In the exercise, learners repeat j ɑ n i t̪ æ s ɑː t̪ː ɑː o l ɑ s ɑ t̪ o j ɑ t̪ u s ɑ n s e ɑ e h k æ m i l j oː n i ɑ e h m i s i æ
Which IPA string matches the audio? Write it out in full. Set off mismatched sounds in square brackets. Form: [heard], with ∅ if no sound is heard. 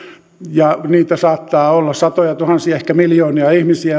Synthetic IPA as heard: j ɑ n [iː] t̪ æ s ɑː t̪ː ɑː o [lː] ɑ s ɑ t̪ o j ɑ t̪ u [h] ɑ n s [i] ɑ e h k æ m i l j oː n i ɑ [i] h m i s i æ